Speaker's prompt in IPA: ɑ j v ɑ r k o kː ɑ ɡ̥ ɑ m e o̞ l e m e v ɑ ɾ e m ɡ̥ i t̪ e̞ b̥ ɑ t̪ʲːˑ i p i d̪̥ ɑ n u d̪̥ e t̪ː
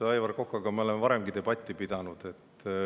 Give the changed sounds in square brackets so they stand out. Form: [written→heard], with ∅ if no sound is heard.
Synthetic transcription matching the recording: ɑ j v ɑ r k o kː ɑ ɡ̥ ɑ m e o̞ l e m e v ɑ ɾ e m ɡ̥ i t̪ e̞ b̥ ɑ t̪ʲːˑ i p i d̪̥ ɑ n u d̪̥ e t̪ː